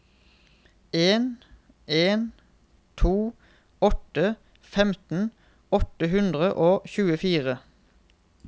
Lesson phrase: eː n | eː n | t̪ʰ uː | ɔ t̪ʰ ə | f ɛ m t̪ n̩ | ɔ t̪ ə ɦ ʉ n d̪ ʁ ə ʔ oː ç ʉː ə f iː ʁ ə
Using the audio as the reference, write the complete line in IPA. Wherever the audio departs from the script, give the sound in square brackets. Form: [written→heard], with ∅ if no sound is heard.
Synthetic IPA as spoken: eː n | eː n | t̪ʰ uː | ɔ [t̪ʰ→t̪] ə | f ɛ m t̪ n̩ | ɔ t̪ ə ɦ ʉ n d̪ ʁ ə ʔ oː ç ʉː ə f iː ʁ ə

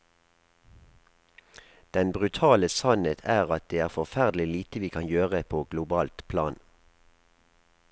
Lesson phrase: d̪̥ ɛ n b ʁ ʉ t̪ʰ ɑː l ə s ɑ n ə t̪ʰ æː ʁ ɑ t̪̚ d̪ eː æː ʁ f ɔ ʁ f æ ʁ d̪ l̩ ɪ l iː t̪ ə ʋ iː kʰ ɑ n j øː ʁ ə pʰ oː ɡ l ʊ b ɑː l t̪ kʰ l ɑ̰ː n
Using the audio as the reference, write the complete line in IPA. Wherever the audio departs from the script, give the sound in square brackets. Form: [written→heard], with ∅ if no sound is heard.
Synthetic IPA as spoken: d̪̥ ɛ n b ʁ ʉ t̪ʰ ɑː l ə s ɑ n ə t̪ʰ æː ʁ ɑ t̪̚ d̪ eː æː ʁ f ɔ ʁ f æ ʁ d̪ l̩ ɪ l iː t̪ ə ʋ iː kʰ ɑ n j øː ʁ ə pʰ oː ɡ l ʊ b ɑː l t̪ [kʰ→pʰ] l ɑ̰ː n

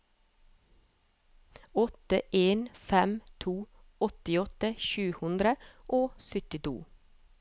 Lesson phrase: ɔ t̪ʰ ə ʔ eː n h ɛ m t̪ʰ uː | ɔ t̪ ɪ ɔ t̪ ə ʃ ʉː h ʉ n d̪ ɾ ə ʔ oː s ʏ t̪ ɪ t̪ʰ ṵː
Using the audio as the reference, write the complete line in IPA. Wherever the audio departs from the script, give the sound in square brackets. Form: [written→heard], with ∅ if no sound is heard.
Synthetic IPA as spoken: ɔ [t̪ʰ→t̪] ə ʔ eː n [h→f] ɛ m t̪ʰ uː | ɔ t̪ ɪ ɔ t̪ ə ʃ ʉː h ʉ n d̪ ɾ ə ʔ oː s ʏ t̪ ɪ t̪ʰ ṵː

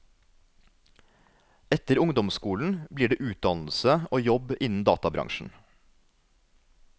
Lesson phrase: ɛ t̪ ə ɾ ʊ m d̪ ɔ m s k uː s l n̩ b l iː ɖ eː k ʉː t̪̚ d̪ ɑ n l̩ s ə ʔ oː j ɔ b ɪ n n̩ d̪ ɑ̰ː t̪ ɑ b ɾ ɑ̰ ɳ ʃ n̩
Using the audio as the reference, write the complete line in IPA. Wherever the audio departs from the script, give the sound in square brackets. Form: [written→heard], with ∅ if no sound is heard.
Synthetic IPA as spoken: ɛ t̪ ə ɾ ʊ [m→ŋ] d̪ ɔ m s k uː [s→∅] l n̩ b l iː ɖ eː [k→ʔ] ʉː t̪̚ d̪ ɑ n l̩ s ə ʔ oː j ɔ b ɪ n n̩ d̪ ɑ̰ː t̪ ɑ b ɾ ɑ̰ [ɳ→ŋ] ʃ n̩

